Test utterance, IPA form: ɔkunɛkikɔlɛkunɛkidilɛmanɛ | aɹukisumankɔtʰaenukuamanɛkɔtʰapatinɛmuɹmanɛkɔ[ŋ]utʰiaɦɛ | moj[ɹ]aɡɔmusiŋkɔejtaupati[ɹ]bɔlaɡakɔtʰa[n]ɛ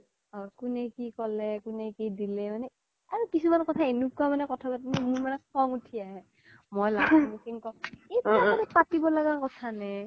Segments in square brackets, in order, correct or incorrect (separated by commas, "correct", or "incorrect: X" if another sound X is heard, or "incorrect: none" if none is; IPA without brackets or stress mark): correct, incorrect: l, incorrect: none, correct